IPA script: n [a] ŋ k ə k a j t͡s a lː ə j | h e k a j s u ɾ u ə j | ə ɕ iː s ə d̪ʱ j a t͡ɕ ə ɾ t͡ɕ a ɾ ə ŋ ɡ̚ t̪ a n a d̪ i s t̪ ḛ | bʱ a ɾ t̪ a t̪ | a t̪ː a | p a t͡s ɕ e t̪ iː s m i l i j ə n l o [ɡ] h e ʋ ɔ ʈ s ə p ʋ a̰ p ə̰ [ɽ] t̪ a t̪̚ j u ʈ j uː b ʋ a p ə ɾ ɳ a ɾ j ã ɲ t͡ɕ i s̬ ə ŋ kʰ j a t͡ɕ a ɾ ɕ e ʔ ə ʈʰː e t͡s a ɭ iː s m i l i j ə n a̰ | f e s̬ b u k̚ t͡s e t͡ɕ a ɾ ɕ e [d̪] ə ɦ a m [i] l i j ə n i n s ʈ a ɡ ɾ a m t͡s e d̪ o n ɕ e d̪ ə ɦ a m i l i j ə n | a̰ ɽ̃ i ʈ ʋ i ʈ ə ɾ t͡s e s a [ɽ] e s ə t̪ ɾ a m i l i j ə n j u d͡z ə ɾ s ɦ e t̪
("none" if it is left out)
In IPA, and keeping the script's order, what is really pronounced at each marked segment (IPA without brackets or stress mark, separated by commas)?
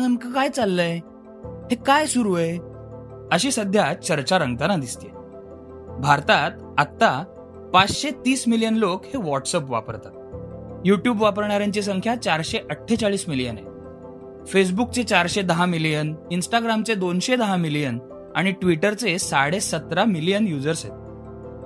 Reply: ə, k, ɾ, d̪, i, ɽ